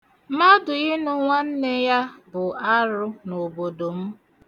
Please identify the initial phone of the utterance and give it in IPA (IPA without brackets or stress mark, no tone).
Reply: m